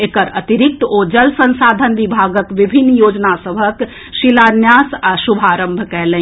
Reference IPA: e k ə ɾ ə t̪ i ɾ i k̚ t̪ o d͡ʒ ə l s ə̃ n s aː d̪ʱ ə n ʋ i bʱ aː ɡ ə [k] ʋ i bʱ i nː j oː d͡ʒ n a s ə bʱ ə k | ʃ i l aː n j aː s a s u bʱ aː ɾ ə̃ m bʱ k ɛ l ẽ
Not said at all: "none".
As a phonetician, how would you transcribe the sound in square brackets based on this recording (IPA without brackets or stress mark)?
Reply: k